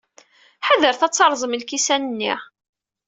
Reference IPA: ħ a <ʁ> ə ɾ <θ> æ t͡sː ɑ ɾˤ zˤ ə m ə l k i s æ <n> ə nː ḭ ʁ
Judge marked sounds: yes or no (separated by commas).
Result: no, yes, yes